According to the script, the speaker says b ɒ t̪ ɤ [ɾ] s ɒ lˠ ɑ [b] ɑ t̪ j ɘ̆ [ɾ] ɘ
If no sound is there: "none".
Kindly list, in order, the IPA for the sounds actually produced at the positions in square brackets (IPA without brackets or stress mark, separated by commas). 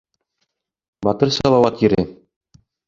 ɾ, w, ɾ